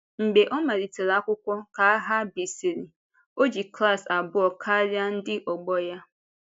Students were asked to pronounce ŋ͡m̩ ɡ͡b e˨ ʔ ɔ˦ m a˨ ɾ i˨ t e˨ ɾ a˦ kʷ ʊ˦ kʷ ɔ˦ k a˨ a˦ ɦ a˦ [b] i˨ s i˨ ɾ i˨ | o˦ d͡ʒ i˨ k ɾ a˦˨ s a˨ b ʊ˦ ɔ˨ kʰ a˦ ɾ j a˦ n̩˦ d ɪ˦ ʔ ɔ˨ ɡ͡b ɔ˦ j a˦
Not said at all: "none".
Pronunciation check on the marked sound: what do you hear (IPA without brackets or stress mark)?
b